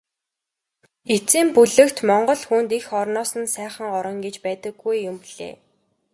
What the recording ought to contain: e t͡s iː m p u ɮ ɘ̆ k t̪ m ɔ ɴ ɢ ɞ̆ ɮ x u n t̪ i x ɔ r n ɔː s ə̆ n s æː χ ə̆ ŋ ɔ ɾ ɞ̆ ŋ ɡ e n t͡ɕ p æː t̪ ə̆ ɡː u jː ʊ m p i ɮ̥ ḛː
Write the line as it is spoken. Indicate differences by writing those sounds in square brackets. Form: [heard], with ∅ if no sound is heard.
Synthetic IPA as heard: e t͡s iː m p u ɮ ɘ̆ k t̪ m ɔ ɴ ɢ ɞ̆ ɮ x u n t̪ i x ɔ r n ɔː s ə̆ n s æː χ ə̆ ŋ ɔ ɾ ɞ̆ ŋ ɡ e [∅] t͡ɕ p æː t̪ ə̆ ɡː u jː ʊ m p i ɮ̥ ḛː